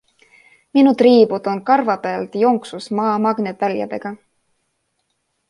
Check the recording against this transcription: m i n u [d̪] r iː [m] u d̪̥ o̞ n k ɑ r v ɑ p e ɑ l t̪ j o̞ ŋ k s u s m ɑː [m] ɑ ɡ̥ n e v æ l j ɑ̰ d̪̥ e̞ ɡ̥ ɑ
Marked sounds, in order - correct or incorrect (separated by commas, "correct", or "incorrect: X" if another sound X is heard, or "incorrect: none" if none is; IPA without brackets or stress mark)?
incorrect: t̪, incorrect: b, correct